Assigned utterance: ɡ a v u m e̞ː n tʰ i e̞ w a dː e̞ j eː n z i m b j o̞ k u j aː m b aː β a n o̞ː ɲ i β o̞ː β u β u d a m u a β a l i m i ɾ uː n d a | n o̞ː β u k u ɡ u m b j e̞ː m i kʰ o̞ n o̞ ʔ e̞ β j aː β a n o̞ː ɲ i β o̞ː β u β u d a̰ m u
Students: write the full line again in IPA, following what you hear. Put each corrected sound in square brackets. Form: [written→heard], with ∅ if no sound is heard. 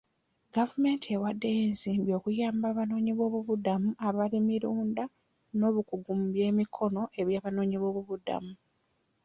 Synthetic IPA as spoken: ɡ a v u m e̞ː n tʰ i e̞ w a dː e̞ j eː n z [i→iː] m b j o̞ k u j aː m b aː β a n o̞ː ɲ i β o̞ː β u β u d a m u a β a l i m i ɾ uː n d a | n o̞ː β u k u ɡ u m b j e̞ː m i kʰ o̞ n o̞ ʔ e̞ β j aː β a n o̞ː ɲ i β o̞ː β u β u d a̰ m u